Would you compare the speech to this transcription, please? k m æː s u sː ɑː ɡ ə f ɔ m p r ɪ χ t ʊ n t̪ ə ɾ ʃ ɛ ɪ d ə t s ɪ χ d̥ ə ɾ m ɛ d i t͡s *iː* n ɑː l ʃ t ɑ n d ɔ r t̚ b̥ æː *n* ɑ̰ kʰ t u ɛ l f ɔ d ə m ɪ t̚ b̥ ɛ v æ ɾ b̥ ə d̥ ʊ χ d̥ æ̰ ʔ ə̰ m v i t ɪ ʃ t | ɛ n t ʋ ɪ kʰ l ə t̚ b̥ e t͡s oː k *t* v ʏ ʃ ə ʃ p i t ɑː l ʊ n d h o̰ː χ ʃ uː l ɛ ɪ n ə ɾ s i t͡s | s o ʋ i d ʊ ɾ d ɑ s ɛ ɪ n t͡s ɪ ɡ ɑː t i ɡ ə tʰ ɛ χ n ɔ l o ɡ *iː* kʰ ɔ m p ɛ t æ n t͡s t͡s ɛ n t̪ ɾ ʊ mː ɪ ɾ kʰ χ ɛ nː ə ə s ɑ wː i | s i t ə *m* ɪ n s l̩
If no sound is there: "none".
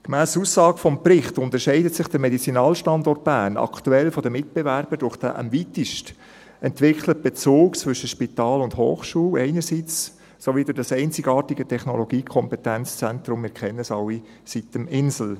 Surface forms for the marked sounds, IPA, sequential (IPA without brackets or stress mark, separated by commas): i, n, t͡s, iː, m